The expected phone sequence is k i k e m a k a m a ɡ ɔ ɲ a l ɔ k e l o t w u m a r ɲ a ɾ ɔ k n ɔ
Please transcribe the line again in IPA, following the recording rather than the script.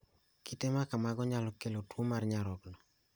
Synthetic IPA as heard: k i t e m a k a m a ɡ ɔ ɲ a l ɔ k e l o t w o m a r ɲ a ɾ ɔ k n ɔ

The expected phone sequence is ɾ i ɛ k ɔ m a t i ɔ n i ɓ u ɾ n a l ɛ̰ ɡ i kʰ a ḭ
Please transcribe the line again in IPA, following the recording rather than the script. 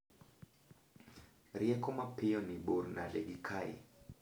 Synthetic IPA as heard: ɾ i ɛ k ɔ m a p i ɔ n i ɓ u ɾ n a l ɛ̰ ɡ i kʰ a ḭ

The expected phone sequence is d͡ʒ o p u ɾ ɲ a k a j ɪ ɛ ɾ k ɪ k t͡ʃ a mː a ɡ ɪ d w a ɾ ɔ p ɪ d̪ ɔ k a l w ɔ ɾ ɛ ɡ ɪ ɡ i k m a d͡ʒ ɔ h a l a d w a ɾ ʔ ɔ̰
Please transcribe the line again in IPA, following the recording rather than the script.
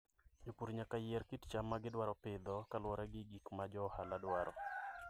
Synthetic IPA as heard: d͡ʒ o p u ɾ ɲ a k a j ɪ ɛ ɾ k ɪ t t͡ʃ a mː a ɡ ɪ d w a ɾ ɔ p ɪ d̪ ɔ k a l w ɔ ɾ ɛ ɡ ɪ ɡ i k m a d͡ʒ ɔ h a l a d w a ɾ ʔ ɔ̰

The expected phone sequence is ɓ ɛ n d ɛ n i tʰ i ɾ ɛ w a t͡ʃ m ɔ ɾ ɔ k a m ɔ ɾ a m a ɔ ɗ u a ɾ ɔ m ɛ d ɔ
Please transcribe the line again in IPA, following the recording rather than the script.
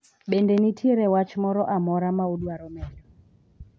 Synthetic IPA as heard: ɓ ɛ n d ɛ n i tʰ i ɾ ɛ w a t͡ʃ m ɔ ɾ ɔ ʔ a m ɔ ɾ a m a u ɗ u a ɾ ɔ m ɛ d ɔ

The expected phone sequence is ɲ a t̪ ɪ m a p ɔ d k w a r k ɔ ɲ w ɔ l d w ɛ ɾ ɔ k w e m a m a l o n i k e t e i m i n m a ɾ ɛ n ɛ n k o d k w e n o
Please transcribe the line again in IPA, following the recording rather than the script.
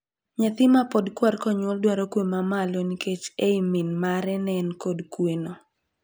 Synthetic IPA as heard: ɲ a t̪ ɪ m a p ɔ d k w a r k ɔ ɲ w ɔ l d w a ɾ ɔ k w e m a m a l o n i k e t͡ʃ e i m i n m a ɾ ɛ n ɛ n k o d k w e n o

